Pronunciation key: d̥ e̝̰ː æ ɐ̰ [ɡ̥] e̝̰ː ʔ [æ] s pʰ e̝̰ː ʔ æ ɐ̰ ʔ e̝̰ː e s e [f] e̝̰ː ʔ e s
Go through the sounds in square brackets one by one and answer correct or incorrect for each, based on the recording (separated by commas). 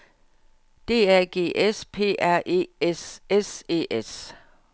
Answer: correct, incorrect, incorrect